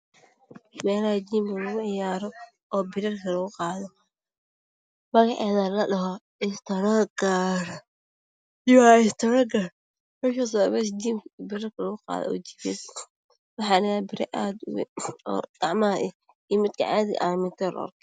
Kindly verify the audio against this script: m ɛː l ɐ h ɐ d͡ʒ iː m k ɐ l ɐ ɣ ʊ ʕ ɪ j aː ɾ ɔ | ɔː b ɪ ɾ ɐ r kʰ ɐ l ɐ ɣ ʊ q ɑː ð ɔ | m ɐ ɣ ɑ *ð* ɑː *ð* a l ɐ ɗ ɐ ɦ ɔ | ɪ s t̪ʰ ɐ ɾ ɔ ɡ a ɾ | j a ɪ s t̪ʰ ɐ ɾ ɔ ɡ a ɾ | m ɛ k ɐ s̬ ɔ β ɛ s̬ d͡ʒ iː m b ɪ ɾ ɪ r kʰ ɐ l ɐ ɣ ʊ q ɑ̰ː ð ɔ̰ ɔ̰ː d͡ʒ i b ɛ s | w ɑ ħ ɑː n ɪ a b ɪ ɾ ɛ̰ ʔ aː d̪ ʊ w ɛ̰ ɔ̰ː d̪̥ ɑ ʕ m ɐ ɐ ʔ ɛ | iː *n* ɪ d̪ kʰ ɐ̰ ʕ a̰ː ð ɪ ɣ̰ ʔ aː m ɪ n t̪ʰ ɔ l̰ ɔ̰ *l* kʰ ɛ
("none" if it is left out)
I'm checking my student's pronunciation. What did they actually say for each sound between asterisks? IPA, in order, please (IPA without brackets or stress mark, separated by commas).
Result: ʕ, ð, m, r